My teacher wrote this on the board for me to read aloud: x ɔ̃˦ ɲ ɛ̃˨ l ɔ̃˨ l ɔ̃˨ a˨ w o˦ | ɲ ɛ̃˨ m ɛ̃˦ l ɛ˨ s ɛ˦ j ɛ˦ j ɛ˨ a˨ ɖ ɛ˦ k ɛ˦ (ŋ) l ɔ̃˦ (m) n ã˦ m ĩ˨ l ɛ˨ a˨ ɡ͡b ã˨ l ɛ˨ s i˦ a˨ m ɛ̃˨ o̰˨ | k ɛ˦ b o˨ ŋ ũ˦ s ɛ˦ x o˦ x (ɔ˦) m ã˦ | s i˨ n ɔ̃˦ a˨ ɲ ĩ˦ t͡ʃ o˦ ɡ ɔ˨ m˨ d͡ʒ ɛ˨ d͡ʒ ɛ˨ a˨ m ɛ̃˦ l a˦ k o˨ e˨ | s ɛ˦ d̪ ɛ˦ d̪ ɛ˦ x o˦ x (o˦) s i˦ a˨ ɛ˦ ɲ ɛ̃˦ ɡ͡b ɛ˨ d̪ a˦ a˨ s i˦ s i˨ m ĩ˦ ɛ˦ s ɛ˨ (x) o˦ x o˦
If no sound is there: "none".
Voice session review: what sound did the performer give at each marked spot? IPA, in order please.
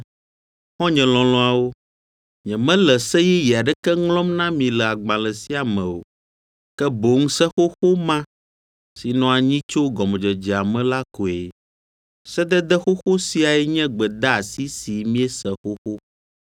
ŋ, m, o˦, o˦, x

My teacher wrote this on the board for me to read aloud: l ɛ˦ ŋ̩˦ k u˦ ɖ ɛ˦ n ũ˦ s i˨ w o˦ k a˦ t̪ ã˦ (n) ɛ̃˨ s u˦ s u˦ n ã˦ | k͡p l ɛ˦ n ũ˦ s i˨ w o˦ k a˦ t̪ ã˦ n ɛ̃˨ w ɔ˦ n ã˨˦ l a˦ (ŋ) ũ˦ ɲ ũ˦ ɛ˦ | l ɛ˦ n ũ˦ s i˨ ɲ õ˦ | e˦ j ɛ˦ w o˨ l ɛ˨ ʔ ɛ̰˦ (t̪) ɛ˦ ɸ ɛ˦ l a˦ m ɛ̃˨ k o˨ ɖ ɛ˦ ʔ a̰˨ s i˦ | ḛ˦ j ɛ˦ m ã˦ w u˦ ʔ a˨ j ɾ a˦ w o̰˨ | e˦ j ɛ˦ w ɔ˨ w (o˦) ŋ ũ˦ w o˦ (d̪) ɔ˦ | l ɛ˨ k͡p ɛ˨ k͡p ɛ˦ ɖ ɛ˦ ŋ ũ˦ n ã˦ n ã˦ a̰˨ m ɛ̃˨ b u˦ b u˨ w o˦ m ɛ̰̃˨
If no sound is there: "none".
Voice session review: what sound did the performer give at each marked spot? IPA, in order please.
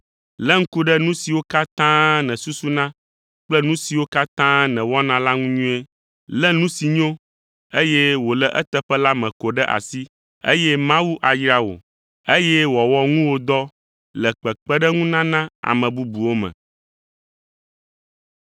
n, ŋ, t̪, ɔ˦, d̪

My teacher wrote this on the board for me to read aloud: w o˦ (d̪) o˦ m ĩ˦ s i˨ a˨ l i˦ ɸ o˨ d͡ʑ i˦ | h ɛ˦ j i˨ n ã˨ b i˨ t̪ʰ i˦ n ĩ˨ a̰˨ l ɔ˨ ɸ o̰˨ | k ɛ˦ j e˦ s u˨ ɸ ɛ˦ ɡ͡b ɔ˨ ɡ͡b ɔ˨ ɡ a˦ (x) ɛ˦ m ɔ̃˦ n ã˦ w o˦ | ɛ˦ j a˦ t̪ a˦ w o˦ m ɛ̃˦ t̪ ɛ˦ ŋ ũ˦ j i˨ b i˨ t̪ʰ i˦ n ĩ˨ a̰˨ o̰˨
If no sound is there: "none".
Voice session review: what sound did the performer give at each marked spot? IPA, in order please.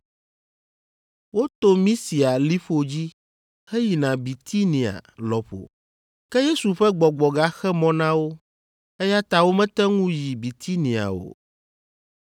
t̪, x

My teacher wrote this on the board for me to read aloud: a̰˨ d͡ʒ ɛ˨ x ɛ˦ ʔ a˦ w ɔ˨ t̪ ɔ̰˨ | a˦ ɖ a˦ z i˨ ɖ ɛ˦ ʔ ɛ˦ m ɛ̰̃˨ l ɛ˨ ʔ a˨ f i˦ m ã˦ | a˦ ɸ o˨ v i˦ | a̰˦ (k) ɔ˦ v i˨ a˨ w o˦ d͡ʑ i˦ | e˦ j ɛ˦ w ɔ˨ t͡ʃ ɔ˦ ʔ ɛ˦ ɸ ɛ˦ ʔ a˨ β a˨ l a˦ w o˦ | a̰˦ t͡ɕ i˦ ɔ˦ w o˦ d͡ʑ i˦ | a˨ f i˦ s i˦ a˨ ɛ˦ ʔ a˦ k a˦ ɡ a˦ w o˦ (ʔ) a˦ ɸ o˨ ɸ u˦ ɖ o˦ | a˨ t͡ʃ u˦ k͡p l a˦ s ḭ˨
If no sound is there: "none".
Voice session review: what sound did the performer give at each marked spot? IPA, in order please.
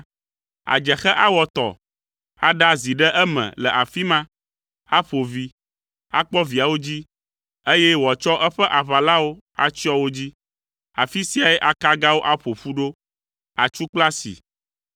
k͡p, ʔ

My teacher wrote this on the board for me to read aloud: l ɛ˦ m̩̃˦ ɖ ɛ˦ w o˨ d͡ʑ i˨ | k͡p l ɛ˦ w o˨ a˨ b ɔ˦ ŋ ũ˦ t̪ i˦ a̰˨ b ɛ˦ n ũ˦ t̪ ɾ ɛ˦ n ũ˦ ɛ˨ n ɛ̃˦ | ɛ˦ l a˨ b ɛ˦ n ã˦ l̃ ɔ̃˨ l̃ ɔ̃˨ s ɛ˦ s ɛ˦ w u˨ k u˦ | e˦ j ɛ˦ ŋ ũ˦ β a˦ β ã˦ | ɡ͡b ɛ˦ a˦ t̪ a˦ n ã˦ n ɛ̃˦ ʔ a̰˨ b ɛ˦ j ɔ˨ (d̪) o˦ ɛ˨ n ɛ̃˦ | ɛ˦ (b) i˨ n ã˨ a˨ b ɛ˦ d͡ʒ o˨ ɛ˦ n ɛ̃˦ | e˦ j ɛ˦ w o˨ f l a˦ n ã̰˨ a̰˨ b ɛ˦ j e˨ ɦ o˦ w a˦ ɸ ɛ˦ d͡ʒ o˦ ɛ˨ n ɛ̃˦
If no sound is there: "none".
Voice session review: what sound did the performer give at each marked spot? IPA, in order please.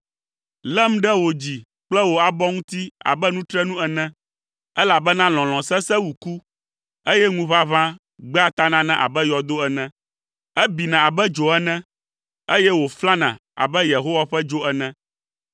d̪, b

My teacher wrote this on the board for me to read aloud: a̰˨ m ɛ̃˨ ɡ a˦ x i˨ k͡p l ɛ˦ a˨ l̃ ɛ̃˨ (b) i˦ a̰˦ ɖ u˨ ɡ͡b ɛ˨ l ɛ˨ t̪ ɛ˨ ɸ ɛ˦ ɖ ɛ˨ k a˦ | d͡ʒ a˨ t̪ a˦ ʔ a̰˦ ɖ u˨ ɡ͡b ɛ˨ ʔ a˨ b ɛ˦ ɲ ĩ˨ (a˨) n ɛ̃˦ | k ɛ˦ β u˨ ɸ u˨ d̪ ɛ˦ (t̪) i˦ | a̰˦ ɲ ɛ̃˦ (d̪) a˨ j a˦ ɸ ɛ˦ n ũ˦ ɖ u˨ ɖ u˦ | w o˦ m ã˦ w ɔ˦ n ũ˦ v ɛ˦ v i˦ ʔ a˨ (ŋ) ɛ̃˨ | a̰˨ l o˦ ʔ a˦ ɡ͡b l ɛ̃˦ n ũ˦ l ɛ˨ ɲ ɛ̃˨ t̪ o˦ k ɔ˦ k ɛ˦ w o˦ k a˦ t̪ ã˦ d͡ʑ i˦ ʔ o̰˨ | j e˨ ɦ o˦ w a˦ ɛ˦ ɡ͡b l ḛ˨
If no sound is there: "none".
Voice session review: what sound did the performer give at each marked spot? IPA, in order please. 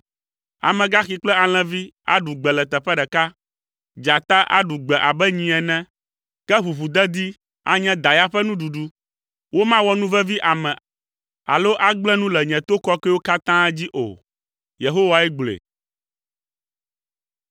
v, ɛ˨, d̪, d̪, m

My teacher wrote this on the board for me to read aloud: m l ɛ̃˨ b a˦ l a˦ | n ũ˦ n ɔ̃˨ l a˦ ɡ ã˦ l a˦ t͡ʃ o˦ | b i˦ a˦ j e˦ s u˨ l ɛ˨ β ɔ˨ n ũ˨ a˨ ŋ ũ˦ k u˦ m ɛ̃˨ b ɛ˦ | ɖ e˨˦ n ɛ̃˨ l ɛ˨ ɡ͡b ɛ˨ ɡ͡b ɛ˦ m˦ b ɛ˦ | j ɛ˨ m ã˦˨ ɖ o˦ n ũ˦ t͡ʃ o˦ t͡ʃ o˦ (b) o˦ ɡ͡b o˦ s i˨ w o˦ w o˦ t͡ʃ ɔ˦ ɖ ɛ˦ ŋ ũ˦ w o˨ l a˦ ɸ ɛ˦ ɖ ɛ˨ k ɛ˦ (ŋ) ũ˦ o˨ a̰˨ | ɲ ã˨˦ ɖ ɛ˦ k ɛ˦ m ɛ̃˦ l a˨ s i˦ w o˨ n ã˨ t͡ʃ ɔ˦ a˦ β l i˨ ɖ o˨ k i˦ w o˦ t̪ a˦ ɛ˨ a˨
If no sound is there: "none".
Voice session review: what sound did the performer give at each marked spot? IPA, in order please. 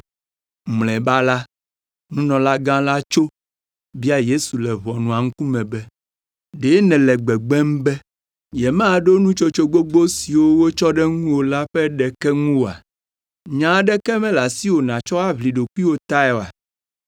ɡ͡b, ŋ

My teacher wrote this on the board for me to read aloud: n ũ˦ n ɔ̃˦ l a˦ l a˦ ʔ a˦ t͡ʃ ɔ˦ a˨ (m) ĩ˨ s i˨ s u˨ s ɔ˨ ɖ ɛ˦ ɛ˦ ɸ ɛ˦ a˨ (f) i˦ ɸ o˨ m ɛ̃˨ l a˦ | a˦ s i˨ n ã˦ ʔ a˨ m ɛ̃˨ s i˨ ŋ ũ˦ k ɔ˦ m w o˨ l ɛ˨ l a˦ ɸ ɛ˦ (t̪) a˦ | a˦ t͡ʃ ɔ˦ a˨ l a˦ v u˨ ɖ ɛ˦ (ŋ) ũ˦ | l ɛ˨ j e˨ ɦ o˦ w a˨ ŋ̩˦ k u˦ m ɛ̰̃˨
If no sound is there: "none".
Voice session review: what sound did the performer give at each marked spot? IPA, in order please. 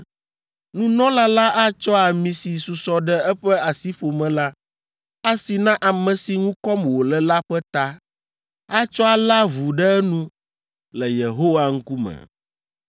m, s, t̪, n

